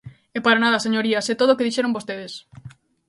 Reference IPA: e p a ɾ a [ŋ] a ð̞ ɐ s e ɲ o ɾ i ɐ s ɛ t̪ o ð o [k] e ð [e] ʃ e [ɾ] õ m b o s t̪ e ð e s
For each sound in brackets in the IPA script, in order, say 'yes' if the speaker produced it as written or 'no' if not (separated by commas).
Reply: no, yes, no, yes